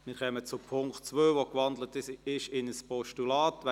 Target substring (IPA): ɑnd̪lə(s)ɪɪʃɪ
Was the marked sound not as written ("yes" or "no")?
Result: yes